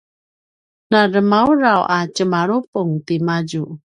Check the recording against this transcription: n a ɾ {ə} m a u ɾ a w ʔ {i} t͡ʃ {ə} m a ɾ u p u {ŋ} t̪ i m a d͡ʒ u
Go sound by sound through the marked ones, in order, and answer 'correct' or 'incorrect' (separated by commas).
correct, incorrect, correct, correct